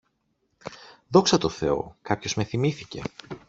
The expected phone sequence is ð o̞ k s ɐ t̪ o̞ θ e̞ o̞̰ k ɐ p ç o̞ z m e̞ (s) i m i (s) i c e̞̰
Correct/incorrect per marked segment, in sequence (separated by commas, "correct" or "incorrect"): incorrect, incorrect